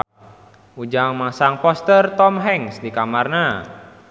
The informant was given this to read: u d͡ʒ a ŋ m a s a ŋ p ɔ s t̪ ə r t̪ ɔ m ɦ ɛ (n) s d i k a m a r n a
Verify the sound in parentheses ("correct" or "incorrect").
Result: incorrect